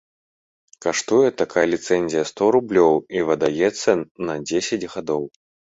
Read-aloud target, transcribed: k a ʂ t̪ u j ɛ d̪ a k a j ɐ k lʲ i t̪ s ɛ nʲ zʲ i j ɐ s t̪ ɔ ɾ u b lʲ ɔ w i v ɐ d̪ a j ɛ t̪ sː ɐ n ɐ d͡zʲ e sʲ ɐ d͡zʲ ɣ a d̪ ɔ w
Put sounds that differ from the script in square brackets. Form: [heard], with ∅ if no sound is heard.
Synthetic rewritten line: k a ʂ t̪ u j ɛ [t̪] a k a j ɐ [∅] lʲ i t̪ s ɛ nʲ zʲ i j ɐ s t̪ ɔ ɾ u b lʲ ɔ w i v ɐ d̪ a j ɛ t̪ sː ɐ n ɐ d͡zʲ e sʲ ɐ d͡zʲ ɣ a d̪ ɔ w